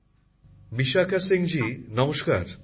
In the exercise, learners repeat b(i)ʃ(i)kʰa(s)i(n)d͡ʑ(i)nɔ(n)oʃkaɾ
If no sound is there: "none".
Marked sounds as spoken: i, a, s, ŋ, i, m

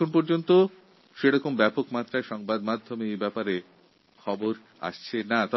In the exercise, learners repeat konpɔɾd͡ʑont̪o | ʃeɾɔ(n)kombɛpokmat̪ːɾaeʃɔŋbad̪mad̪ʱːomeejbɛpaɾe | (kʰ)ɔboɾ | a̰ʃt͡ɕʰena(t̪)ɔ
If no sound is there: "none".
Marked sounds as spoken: none, kʰ, t̪

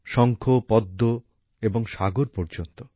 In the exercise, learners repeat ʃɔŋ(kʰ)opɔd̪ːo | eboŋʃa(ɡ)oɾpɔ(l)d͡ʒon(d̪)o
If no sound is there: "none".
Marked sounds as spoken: kʰ, ɡ, ɾ, t̪

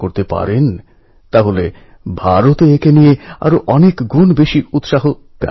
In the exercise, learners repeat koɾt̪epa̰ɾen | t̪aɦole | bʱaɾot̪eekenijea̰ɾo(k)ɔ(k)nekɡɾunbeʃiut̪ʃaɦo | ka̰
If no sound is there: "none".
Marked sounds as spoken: ʔ, none

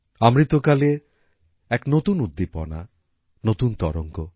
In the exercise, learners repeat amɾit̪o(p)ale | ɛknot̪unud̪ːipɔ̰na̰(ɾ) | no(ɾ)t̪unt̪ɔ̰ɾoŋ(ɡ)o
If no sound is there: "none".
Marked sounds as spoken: k, none, none, k

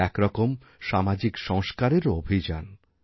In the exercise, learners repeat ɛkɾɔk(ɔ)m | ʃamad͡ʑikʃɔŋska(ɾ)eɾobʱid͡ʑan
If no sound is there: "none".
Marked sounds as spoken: o, ɾ

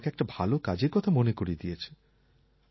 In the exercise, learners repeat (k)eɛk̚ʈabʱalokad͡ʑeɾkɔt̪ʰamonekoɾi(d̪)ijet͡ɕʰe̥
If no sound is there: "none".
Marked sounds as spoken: k, d̪

